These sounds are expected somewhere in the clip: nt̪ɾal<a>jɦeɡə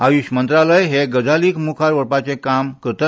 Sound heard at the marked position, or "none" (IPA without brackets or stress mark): ə